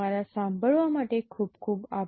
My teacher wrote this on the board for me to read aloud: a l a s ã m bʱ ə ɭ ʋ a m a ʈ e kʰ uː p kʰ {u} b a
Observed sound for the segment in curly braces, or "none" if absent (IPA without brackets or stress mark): uː